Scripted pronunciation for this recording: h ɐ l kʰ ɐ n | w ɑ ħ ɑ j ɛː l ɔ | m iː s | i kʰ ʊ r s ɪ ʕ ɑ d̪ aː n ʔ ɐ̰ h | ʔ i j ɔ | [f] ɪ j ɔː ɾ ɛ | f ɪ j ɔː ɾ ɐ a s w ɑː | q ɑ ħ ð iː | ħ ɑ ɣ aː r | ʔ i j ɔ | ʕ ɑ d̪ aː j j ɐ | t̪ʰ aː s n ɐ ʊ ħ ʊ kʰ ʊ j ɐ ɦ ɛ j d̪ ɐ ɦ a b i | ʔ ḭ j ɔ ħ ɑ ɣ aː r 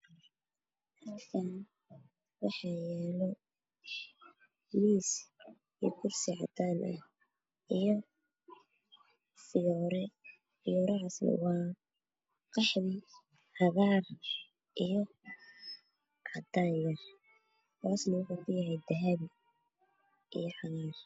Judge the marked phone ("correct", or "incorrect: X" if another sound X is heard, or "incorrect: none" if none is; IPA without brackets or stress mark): correct